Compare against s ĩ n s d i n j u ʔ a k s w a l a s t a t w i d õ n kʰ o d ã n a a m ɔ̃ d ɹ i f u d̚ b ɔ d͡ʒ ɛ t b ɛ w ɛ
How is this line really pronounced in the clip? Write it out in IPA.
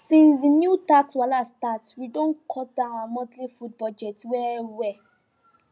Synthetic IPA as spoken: s ĩ n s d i n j u t a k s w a l a s t a t w i d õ n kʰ ɔ d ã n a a m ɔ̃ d l i f u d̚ b ɔ d͡ʒ ɛ t w ɛ w ɛ

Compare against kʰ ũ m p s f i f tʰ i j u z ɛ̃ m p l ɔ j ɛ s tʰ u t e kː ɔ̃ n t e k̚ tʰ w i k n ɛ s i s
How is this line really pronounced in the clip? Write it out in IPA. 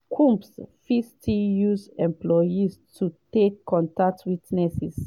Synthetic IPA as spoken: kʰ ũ m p s f i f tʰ i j u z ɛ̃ m p l ɔ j i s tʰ u t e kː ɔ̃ n t a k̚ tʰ w i t n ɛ s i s

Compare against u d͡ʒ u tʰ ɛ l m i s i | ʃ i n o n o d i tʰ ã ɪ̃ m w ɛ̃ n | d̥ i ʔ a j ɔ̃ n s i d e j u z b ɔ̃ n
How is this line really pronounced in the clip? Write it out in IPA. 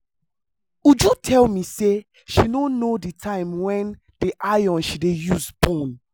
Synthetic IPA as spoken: u d͡ʒ u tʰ ɛ l m i s e | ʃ i n o n o d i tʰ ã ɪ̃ m w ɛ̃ n | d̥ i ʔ a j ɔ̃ n ʃ i d e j u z b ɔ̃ n

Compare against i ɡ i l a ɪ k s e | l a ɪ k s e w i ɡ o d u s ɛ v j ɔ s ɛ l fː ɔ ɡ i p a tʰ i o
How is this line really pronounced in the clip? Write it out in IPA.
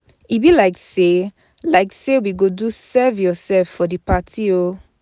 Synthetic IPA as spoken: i b i l a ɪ k s e | l a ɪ k s e w i ɡ o d u s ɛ v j ɔ s ɛ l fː ɔ d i p a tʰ i o

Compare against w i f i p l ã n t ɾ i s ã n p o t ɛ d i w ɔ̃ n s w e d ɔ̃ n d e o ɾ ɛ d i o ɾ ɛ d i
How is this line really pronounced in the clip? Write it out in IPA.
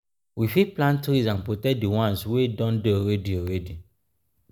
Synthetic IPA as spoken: w i f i p l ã n t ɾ i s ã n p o t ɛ d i w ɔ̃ n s w e d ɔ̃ n d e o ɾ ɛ d i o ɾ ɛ d i

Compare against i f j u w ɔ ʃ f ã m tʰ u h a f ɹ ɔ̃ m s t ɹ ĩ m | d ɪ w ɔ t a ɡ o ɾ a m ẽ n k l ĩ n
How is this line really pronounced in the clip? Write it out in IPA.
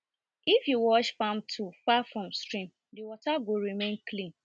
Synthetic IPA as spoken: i f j u w ɔ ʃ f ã m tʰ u f a f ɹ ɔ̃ m s t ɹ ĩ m | d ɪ w ɔ t a ɡ o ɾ i m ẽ n k l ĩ n

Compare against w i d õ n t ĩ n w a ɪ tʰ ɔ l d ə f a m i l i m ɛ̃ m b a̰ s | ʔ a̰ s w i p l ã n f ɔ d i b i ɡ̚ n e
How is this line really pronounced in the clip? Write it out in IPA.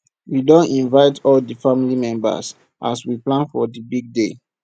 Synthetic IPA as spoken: w i d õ n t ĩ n v a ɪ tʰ ɔ l d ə f a m i l i m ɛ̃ m b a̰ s | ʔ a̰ s w i p l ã n f ɔ d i b i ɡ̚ d e

